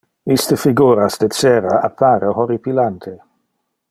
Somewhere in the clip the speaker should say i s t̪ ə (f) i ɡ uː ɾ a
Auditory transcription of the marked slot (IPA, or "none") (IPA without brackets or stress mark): f